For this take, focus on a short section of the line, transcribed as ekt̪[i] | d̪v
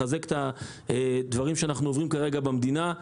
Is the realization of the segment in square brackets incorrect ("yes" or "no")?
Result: yes